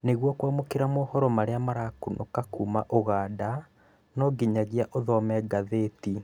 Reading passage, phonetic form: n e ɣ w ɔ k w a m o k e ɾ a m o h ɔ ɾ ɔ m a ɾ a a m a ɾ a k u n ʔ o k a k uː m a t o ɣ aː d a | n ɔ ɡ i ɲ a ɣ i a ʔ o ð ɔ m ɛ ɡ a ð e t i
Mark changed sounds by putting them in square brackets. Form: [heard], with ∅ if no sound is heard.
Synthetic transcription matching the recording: n e ɣ w ɔ k w a m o k e ɾ a m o h ɔ ɾ ɔ m a ɾ [e] a m a ɾ a k u n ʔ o k a k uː m a [ʔ] o ɣ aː d a | n ɔ ɡ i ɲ a ɣ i a ʔ o ð ɔ m ɛ ɡ a ð e t i